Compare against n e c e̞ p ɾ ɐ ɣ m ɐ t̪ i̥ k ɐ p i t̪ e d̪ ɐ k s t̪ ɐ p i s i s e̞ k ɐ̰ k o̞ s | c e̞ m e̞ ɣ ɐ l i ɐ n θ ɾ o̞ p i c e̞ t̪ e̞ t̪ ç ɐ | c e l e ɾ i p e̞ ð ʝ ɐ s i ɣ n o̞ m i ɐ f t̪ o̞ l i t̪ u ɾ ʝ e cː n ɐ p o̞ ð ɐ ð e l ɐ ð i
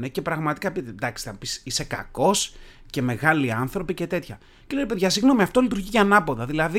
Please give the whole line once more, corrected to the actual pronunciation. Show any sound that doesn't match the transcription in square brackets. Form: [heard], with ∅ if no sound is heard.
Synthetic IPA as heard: n e c e̞ p ɾ ɐ ɣ m ɐ t̪ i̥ k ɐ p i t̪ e d̪ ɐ k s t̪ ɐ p i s i s e̞ k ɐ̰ k o̞ s | c e̞ m e̞ ɣ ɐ l i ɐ n θ ɾ o̞ p i c e̞ t̪ e̞ t̪ ç ɐ | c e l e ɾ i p e̞ ð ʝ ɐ s i ɣ n o̞ m i ɐ f t̪ o̞ l i t̪ u ɾ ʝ [i] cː n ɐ p o̞ ð ɐ ð [i] l ɐ ð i